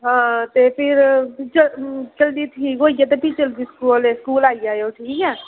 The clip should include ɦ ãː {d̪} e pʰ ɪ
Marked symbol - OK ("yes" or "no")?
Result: no